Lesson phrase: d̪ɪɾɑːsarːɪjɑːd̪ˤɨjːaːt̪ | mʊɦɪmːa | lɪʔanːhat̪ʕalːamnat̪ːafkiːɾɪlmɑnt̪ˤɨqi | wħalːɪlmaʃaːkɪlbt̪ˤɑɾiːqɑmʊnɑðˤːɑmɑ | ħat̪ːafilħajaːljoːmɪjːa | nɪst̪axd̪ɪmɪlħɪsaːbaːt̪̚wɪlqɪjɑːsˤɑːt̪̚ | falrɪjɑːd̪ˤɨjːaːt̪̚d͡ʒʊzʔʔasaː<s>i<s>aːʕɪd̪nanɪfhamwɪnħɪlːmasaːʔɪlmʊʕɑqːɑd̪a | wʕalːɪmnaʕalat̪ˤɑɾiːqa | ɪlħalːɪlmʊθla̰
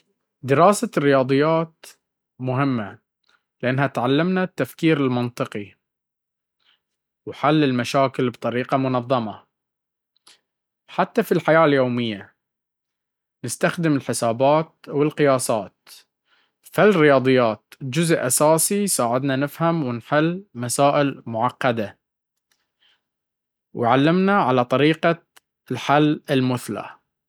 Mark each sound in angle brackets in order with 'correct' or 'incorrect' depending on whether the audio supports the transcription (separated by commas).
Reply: correct, correct